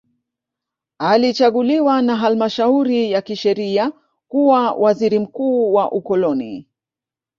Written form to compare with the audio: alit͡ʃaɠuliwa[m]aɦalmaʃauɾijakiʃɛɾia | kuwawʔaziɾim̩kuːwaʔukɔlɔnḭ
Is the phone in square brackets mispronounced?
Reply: yes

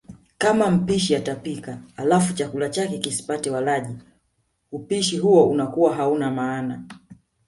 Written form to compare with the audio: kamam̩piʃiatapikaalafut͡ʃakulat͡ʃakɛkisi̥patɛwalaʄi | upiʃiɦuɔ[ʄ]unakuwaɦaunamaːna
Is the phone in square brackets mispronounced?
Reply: yes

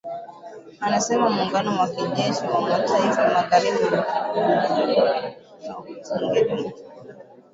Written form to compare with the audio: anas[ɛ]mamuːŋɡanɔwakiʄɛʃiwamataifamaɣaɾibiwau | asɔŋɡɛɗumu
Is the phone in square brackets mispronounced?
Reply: no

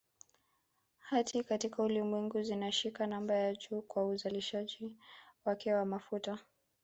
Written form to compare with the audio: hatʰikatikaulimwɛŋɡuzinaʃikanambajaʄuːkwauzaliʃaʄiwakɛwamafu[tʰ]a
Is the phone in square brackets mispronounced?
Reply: yes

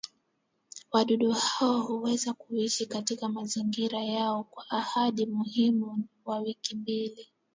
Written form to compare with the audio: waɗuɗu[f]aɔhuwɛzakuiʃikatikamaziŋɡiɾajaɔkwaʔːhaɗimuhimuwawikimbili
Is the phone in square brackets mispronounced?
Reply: yes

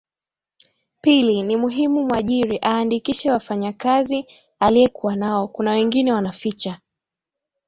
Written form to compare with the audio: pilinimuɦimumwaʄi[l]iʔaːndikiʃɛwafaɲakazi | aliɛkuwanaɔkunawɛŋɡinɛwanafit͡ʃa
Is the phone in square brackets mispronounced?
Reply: yes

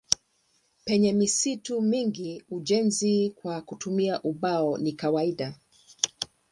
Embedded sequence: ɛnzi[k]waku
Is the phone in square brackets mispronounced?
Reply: no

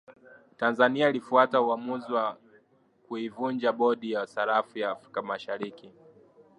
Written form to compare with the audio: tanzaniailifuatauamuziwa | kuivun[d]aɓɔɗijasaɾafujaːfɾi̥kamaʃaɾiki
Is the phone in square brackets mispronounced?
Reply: yes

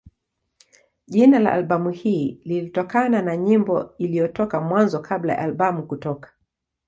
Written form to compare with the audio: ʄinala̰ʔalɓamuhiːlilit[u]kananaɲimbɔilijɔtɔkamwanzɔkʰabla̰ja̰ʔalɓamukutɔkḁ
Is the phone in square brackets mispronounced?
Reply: yes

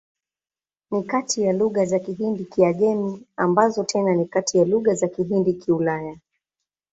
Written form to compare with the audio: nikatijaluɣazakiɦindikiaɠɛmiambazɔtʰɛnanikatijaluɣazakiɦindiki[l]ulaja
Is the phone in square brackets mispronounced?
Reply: yes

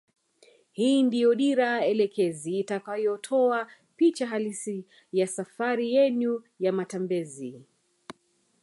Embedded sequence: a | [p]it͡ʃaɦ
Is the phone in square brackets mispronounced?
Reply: no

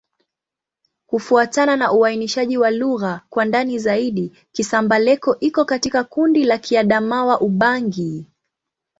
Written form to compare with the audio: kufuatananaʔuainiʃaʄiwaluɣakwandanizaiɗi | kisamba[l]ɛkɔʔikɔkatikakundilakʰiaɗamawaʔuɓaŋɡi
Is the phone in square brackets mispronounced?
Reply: no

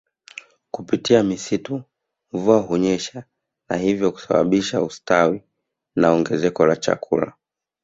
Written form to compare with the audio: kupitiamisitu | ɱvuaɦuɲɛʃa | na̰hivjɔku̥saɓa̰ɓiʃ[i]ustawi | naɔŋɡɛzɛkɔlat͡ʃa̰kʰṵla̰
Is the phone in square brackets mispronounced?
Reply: yes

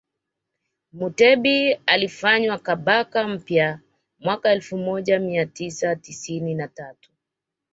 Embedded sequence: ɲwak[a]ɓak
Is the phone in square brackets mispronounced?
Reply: no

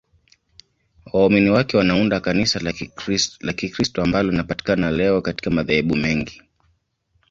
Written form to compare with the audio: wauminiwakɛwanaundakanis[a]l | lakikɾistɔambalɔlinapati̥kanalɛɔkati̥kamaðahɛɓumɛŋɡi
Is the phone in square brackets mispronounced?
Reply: no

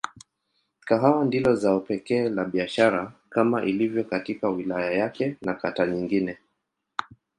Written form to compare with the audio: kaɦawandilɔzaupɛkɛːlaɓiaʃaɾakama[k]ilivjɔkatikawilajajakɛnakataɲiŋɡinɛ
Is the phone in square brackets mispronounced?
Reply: yes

